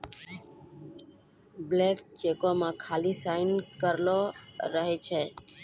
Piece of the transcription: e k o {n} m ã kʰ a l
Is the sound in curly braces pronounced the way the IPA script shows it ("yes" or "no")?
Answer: no